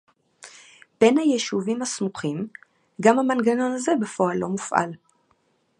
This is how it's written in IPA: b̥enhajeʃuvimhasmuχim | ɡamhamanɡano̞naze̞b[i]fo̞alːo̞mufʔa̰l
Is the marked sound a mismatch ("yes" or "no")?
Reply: yes